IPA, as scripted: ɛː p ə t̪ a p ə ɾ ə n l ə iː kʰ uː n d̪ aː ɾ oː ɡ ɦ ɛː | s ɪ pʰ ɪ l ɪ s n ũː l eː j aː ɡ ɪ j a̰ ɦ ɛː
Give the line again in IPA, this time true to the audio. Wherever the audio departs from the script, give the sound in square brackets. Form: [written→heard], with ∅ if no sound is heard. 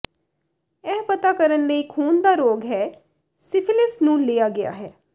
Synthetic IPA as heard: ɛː p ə t̪ a [p→k] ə ɾ ə n l ə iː kʰ uː n d̪ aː ɾ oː ɡ ɦ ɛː | s ɪ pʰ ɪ l ɪ s n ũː l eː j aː ɡ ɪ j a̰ ɦ ɛː